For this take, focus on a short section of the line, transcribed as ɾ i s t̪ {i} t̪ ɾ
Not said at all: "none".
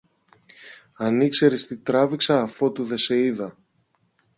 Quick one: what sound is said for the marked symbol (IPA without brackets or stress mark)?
i